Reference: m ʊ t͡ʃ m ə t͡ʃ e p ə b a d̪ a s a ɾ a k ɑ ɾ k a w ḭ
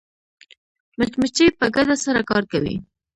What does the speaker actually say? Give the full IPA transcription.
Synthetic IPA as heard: m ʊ t͡ʃ m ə t͡ʃ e p ə ɡ a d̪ a s a ɾ a k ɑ ɾ k a w ḭ